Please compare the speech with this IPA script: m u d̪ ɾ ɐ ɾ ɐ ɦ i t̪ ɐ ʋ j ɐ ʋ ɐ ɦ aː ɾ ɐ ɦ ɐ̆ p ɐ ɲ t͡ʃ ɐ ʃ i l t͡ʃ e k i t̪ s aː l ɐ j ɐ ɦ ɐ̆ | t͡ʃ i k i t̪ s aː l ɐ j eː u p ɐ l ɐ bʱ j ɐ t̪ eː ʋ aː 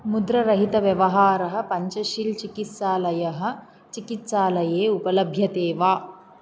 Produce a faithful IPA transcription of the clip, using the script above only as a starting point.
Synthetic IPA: m u d̪ ɾ ɐ ɾ ɐ ɦ i t̪ ɐ ʋ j ɐ ʋ ɐ ɦ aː ɾ ɐ ɦ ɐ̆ p ɐ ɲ t͡ʃ ɐ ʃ i l t͡ʃ i k i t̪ s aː l ɐ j ɐ ɦ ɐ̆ | t͡ʃ i k i t̪ s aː l ɐ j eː u p ɐ l ɐ bʱ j ɐ t̪ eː ʋ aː